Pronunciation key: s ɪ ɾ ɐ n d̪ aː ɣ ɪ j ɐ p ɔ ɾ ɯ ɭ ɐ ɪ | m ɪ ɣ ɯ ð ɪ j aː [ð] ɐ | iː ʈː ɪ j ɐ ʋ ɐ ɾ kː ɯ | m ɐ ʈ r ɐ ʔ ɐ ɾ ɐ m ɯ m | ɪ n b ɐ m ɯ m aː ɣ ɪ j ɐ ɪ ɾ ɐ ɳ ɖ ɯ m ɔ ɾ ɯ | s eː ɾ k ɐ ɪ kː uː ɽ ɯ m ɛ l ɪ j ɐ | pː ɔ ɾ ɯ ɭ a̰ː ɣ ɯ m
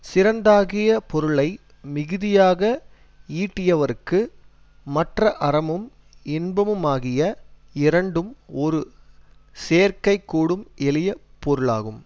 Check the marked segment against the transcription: incorrect: ɣ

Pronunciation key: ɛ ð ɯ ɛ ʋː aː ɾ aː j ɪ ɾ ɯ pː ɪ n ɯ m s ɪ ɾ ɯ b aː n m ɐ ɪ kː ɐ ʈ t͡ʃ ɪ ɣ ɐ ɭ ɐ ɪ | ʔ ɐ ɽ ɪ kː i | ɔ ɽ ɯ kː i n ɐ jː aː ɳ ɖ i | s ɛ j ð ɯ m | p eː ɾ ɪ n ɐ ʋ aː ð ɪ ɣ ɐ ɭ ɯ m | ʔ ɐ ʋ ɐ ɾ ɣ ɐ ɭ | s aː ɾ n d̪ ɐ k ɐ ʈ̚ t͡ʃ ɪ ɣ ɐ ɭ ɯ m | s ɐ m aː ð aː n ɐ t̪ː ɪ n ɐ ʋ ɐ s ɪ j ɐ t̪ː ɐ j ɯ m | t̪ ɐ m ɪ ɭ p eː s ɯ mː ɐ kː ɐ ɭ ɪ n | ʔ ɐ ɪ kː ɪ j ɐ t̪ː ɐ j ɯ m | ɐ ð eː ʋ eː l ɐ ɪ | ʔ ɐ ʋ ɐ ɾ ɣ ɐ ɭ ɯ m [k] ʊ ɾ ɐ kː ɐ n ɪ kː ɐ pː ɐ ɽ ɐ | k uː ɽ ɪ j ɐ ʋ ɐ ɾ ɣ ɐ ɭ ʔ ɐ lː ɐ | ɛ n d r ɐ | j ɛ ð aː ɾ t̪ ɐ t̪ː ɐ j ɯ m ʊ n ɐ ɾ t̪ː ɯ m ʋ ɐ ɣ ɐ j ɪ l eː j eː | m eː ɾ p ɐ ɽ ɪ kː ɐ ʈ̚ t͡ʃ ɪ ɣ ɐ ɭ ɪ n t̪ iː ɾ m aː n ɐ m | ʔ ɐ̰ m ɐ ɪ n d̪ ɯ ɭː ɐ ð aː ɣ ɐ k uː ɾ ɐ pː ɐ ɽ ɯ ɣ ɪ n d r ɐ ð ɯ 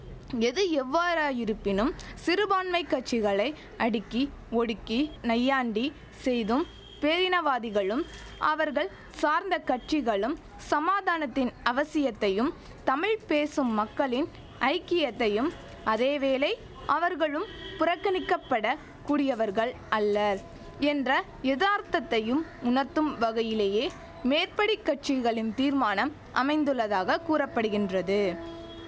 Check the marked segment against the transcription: incorrect: p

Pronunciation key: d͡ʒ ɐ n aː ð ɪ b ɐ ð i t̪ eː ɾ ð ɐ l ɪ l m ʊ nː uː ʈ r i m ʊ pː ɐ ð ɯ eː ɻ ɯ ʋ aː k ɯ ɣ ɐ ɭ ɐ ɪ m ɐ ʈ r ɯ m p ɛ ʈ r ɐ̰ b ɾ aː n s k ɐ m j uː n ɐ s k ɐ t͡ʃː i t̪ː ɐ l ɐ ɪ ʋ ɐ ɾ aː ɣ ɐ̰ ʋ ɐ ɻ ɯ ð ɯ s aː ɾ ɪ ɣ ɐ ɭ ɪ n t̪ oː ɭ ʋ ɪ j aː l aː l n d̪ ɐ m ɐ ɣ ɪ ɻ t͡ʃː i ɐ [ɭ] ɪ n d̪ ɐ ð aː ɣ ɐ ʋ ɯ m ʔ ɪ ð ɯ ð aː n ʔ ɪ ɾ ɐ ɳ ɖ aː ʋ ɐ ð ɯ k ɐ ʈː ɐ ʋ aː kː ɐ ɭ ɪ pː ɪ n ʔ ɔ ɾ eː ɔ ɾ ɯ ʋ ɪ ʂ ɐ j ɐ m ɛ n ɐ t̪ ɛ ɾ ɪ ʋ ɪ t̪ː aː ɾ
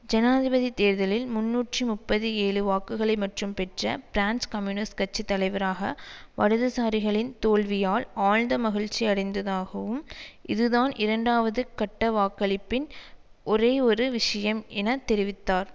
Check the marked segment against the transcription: incorrect: ɽ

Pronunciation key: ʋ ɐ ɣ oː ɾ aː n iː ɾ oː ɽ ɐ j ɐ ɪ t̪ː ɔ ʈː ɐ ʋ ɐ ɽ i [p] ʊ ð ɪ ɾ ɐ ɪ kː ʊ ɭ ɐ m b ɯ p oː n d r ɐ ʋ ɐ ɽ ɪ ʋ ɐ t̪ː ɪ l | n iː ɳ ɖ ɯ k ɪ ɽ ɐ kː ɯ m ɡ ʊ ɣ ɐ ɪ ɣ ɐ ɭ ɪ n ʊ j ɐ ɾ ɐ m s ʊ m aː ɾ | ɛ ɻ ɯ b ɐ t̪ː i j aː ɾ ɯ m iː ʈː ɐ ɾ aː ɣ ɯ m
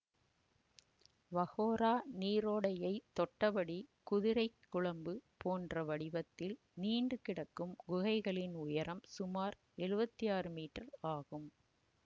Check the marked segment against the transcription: incorrect: k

